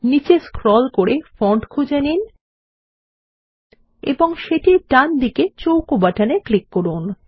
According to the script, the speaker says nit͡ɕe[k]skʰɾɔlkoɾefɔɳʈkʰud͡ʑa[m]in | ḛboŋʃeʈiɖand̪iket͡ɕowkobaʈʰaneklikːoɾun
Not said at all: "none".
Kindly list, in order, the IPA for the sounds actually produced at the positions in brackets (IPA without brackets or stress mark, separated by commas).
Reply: none, n